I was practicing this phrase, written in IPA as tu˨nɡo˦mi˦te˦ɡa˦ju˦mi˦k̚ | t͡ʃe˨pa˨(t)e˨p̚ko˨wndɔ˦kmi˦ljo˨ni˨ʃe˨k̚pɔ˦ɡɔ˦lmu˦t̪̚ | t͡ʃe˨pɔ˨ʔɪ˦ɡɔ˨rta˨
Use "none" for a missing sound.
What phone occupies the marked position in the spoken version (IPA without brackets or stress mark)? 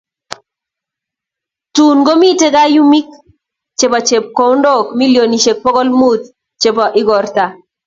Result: t͡ʃ